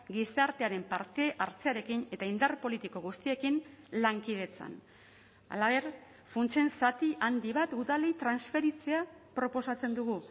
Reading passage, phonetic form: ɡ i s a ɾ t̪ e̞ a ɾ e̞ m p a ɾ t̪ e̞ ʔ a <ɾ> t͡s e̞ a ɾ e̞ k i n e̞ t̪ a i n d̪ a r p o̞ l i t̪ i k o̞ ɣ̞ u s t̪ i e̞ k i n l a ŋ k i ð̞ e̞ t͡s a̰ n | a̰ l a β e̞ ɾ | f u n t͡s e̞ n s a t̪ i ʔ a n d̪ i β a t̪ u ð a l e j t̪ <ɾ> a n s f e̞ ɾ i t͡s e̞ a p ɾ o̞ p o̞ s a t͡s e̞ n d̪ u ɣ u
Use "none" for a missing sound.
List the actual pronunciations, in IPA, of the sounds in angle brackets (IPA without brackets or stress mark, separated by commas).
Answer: ɾ, ɾ